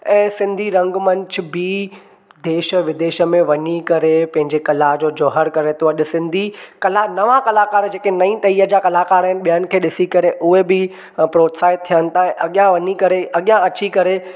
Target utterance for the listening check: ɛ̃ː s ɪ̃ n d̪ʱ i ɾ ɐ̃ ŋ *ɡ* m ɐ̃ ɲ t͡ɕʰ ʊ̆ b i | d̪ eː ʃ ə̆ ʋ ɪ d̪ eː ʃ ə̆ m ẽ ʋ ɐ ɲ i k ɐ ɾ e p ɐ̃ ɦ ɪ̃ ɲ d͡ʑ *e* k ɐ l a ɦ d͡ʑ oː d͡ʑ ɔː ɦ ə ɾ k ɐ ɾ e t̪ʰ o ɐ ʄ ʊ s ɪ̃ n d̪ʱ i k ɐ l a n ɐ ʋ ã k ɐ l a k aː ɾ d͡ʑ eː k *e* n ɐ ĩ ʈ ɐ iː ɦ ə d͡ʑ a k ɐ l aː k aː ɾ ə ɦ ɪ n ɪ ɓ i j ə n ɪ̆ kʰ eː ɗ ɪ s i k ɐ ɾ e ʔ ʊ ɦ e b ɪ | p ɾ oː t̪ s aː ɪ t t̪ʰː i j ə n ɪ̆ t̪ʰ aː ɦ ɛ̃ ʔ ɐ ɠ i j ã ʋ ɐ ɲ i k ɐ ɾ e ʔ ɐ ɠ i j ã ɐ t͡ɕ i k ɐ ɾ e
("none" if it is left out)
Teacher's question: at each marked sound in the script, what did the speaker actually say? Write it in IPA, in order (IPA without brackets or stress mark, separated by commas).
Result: ɡ, e, e